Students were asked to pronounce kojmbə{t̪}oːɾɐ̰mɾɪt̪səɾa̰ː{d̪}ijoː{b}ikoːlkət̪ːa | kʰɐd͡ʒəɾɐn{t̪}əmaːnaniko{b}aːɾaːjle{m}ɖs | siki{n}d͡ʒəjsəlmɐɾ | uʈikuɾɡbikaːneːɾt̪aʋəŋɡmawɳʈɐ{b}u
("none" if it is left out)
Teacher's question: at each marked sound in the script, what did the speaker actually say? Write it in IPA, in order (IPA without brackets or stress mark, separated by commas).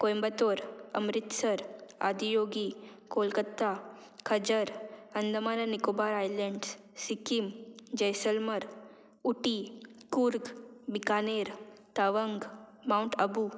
t̪, d̪, ɡ, d̪, b, ɳ, m, b